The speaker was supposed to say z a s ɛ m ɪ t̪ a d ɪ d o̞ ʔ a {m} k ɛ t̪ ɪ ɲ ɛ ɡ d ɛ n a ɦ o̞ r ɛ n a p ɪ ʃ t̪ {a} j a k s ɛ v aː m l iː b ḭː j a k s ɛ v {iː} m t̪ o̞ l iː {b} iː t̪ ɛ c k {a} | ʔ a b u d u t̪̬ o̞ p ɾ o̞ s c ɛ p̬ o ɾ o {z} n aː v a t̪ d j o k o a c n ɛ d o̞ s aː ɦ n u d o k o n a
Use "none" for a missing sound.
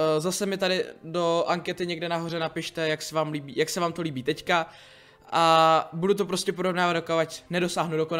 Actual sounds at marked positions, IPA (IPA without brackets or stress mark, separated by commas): ŋ, ɛ, aː, b, a, v